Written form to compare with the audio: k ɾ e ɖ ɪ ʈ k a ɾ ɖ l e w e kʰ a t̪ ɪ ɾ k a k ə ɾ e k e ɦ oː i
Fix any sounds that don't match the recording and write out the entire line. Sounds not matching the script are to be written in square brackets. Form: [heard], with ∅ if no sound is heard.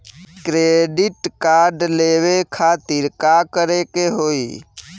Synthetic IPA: k ɾ e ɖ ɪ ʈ k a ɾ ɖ l e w e kʰ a t̪ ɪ ɾ k a k ə ɾ e k e ɦ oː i